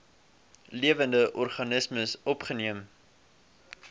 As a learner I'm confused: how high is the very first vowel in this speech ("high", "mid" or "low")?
high